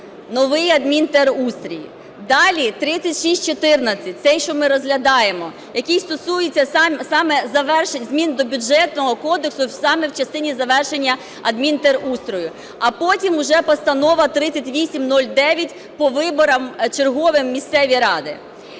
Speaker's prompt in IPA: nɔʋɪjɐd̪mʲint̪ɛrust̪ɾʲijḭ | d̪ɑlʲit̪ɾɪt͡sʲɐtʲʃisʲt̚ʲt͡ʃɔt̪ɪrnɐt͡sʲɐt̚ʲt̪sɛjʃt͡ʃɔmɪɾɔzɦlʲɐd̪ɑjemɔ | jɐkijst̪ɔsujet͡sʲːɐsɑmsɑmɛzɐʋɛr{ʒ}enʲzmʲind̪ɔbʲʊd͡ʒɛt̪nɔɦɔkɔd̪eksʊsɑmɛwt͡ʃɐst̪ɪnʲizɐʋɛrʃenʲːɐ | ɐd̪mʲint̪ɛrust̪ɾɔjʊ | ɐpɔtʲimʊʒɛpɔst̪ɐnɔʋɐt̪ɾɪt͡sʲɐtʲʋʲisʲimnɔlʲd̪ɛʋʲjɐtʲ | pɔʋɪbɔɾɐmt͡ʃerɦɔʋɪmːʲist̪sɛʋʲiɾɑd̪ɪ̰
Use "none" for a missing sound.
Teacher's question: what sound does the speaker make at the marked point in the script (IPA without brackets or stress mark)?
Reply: ʃ